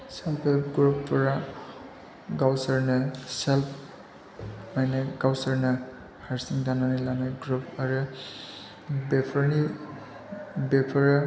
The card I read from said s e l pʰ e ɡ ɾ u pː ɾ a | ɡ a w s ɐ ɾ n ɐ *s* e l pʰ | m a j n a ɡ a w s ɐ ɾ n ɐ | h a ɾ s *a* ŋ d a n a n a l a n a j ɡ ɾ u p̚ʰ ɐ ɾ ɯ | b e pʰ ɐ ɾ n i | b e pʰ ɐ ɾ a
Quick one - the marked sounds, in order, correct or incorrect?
correct, incorrect

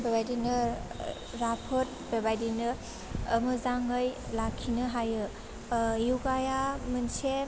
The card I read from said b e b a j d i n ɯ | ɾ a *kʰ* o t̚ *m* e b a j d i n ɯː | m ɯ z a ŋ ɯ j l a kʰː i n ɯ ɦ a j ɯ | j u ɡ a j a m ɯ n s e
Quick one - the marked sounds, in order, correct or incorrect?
incorrect, incorrect

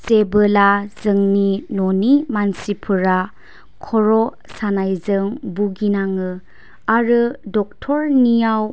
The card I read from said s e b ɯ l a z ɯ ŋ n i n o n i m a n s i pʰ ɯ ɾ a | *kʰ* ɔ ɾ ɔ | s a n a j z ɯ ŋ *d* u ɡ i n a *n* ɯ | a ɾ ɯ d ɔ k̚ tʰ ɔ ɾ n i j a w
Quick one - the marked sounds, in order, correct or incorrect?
correct, incorrect, incorrect

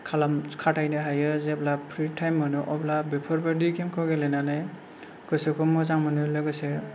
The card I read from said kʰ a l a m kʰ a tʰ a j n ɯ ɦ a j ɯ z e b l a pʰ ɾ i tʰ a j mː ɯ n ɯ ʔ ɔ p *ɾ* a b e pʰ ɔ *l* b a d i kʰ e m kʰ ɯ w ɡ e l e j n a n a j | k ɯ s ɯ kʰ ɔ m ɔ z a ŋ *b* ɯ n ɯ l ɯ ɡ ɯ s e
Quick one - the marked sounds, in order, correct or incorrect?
incorrect, incorrect, incorrect

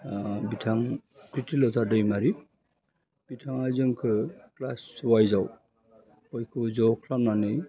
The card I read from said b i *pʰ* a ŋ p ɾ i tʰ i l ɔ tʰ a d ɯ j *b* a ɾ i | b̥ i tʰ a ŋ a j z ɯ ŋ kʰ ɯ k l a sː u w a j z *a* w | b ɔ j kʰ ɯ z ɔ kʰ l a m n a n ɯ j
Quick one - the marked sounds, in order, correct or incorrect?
incorrect, incorrect, correct

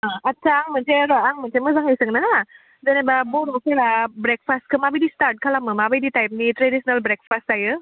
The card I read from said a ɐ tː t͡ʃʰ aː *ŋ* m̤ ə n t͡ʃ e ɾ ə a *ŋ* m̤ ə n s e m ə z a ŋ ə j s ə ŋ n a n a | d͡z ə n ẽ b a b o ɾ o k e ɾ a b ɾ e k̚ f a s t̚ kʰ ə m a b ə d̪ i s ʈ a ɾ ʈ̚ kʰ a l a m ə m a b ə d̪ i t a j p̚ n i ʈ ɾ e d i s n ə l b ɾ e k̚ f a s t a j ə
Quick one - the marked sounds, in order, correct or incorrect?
correct, correct

